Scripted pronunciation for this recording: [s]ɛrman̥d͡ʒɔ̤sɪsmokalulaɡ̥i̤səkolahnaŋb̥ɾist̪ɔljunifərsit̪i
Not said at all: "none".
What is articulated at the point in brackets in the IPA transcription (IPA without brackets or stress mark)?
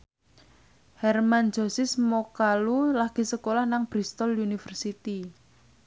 h